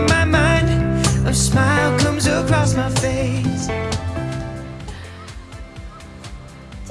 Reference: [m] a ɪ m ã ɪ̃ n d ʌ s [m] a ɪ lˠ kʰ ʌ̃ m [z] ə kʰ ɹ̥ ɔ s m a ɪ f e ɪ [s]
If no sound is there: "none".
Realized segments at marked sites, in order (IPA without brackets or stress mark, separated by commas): m, m, z, s